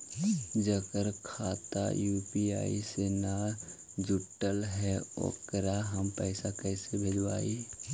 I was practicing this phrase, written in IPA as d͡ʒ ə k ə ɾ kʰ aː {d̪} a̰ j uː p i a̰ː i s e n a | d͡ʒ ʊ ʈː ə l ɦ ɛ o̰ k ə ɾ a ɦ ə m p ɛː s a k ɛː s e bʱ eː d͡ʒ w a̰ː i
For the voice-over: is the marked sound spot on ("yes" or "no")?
no